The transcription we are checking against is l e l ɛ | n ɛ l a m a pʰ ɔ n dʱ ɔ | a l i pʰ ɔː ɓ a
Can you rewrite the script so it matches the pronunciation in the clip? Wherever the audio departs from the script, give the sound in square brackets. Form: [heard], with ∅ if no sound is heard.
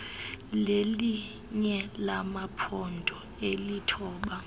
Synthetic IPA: l e l [i] | [ɲ] ɛ l a m a pʰ ɔ n dʱ ɔ | [e] l i [tʰ] ɔː ɓ a